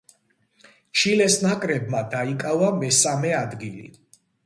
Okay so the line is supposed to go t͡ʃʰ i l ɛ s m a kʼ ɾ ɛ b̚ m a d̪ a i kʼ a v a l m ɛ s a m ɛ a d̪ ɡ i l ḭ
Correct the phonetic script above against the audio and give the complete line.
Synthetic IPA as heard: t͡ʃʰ i l ɛ s n a kʼ ɾ ɛ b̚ m a d̪ a i kʼ a v a m ɛ s a m ɛ a d̪ ɡ i l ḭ